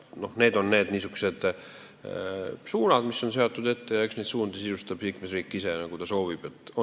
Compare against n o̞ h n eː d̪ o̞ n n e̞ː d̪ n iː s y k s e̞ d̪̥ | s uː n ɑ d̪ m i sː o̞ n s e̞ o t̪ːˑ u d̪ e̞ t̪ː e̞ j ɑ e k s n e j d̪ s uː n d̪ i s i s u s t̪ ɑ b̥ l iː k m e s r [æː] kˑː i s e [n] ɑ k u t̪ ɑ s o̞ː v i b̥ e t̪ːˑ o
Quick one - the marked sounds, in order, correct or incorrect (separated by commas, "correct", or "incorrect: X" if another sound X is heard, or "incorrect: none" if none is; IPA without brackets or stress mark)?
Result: incorrect: iː, correct